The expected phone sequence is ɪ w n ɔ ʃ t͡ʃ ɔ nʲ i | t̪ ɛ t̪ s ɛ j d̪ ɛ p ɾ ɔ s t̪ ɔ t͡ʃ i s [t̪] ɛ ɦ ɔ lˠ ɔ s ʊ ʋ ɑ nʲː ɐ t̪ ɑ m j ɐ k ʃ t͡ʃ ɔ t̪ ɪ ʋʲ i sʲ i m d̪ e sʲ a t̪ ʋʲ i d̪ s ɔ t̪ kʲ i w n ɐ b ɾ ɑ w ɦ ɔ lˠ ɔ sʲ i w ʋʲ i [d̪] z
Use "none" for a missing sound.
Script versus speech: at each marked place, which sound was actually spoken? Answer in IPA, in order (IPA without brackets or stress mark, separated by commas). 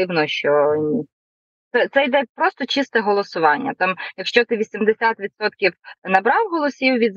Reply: t̪, d̪